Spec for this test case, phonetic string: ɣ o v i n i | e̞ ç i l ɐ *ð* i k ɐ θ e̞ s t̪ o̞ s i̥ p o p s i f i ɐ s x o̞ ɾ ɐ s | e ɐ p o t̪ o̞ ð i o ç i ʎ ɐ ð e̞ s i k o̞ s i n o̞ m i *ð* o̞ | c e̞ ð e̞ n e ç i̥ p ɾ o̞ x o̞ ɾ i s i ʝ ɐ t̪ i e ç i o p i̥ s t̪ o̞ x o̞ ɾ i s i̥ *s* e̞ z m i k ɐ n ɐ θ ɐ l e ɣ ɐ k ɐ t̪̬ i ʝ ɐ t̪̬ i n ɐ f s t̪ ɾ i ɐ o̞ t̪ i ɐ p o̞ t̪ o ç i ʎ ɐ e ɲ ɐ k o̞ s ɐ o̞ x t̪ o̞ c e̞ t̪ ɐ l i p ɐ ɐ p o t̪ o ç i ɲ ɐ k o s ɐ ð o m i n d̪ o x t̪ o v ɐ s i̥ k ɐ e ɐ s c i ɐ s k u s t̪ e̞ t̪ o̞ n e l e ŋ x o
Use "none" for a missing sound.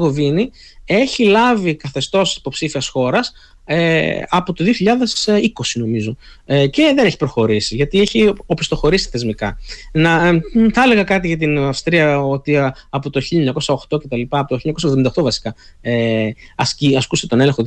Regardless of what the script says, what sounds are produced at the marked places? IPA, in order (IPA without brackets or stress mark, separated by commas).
v, z, θ